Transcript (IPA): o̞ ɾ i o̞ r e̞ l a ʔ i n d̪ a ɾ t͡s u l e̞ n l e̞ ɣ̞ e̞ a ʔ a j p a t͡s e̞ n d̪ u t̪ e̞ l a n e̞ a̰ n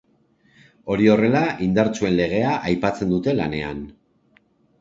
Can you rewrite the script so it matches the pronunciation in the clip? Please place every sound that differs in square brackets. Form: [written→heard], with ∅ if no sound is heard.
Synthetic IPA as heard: o̞ ɾ i o̞ r e̞ l a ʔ i n d̪ a ɾ t͡s u [l→∅] e̞ n l e̞ ɣ̞ e̞ a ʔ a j p a t͡s e̞ n d̪ u t̪ e̞ l a n e̞ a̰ n